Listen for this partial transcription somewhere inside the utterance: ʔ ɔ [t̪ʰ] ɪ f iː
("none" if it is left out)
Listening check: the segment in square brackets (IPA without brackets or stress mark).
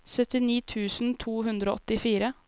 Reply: t̪